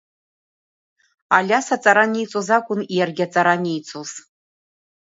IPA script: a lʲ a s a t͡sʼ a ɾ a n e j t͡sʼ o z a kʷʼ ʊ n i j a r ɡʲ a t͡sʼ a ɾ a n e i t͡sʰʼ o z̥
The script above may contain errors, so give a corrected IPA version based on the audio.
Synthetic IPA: a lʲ a s a t͡sʼ a ɾ a n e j t͡sʼ o z a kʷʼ ʊ n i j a r ɡʲ a t͡sʼ a ɾ a n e j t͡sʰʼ o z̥